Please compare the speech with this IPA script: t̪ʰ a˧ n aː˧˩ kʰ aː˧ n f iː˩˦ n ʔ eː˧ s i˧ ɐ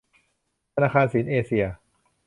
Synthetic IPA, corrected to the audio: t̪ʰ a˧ n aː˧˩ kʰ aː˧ n s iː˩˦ n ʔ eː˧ s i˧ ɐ